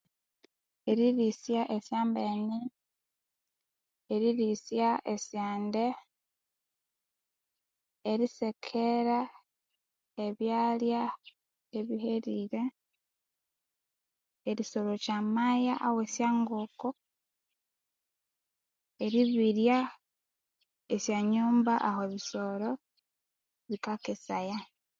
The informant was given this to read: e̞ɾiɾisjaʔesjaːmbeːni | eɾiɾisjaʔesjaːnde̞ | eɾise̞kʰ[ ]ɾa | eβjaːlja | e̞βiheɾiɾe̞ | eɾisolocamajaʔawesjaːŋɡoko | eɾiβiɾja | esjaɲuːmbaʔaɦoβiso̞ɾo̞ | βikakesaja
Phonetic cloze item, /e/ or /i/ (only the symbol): e